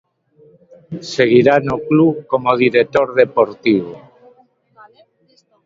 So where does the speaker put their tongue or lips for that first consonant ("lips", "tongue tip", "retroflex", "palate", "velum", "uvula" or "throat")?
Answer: tongue tip